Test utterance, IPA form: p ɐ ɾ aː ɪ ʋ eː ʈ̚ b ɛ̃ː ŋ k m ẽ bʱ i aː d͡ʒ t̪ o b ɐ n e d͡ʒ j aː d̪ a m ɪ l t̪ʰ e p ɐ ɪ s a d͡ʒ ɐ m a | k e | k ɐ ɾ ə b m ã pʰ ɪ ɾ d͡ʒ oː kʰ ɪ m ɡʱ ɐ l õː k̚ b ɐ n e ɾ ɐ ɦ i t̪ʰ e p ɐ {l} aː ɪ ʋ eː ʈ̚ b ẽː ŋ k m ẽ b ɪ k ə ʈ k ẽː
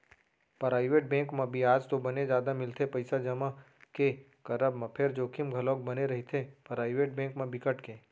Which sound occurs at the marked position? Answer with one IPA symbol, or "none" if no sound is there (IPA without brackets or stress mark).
ɾ